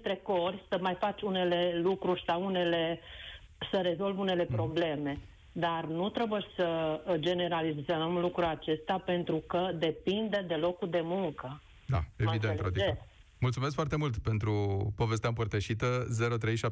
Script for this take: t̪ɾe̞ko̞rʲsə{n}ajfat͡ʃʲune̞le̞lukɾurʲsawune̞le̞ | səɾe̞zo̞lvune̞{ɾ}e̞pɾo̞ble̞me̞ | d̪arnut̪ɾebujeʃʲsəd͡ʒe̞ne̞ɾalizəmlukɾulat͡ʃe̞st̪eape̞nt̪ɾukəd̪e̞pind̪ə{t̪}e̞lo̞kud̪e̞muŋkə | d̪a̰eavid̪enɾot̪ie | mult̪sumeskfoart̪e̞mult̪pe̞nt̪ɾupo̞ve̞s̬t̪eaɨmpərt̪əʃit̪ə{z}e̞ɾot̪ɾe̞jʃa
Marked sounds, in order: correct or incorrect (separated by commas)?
incorrect, incorrect, incorrect, correct